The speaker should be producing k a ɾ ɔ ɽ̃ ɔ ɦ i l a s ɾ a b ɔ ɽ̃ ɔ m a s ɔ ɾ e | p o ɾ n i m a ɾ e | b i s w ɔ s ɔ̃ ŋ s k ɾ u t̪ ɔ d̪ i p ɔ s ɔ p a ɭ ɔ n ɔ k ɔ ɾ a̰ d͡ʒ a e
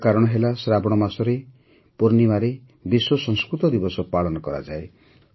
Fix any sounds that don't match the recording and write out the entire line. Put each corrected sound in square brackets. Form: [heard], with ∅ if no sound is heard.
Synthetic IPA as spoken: k a ɾ ɔ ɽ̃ ɔ ɦ [e] l a s ɾ a b ɔ ɽ̃ ɔ m a s ɔ ɾ e | p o ɾ n i m a ɾ e | b i s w ɔ s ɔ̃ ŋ s k ɾ u t̪ ɔ d̪ i [b] ɔ s ɔ p a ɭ ɔ n ɔ k ɔ ɾ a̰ d͡ʒ a e